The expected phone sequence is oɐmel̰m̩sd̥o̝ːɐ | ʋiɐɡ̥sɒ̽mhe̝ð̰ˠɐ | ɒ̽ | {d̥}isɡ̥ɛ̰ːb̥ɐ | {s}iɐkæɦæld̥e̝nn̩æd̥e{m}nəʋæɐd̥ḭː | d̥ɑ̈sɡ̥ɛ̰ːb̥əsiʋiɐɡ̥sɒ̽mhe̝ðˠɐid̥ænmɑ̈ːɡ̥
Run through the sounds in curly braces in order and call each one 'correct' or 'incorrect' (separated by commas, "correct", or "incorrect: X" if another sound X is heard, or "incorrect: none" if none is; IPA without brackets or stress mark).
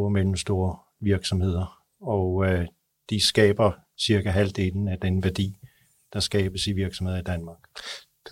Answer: correct, correct, incorrect: none